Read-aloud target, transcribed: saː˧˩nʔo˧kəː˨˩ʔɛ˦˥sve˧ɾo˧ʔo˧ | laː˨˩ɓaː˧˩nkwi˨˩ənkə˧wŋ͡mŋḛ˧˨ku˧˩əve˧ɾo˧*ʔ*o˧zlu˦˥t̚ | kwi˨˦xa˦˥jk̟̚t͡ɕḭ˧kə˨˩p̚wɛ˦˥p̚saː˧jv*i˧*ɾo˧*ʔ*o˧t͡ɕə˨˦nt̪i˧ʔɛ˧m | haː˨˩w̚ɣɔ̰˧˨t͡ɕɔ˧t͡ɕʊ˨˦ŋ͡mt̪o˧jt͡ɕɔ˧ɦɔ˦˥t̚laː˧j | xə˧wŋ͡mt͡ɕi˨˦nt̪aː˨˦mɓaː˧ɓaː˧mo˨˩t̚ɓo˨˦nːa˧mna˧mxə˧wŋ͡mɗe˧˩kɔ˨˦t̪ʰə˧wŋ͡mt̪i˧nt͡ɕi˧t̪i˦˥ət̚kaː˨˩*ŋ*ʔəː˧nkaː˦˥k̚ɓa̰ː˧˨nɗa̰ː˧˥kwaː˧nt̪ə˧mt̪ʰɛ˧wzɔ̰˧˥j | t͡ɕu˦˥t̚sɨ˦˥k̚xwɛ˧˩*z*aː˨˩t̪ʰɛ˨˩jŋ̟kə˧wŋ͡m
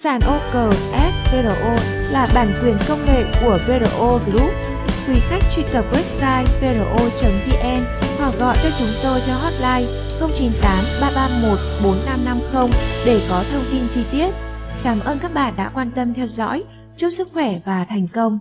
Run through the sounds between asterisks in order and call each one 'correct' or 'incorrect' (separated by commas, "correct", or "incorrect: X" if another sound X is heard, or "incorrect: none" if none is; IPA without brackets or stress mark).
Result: correct, incorrect: e˧, correct, incorrect: m, incorrect: v